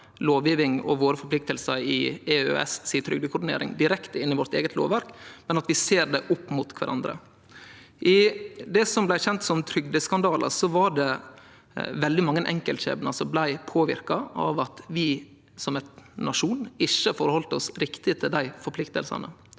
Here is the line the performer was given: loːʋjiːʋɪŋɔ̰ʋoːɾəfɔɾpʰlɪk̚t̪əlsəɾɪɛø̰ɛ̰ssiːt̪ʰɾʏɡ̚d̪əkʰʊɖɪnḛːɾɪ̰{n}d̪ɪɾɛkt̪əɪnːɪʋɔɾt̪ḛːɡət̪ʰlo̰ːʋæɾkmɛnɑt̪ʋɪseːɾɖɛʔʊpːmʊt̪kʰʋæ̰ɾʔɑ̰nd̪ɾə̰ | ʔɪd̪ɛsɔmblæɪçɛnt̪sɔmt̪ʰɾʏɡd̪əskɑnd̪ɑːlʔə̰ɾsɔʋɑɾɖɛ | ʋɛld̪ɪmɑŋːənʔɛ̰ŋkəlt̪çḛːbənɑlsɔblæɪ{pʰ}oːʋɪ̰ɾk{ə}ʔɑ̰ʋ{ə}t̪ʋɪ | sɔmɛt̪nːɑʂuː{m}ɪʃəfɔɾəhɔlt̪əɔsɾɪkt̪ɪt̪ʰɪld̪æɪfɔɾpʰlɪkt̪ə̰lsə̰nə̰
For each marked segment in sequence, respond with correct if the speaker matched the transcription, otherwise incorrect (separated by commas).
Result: incorrect, correct, incorrect, incorrect, incorrect